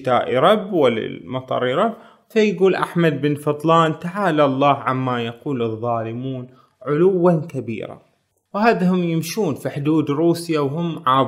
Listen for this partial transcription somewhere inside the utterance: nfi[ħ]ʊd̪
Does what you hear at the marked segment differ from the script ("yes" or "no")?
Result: no